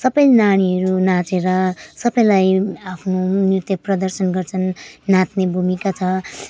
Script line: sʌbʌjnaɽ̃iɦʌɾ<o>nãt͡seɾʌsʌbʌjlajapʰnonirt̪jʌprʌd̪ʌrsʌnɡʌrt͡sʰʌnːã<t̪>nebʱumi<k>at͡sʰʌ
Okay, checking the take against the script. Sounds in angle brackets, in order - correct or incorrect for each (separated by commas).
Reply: incorrect, correct, correct